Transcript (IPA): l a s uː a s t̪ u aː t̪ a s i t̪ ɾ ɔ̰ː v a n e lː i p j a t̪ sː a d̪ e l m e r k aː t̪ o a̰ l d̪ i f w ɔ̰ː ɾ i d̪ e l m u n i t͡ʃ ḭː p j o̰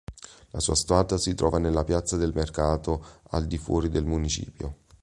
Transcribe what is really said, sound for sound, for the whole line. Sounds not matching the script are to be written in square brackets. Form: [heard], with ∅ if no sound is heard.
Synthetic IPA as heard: l a s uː a s t̪ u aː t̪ a s i t̪ ɾ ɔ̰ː v a n e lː [a] p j a t̪ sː a d̪ e l m e r k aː t̪ o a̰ l d̪ i f w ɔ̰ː ɾ i d̪ e l m u n i t͡ʃ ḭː p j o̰